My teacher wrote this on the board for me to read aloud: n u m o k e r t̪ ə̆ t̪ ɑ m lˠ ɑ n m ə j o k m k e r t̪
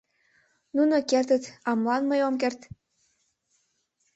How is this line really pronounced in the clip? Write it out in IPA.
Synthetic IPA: n u n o k e r t̪ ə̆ t̪ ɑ m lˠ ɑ n m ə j o m k e r t̪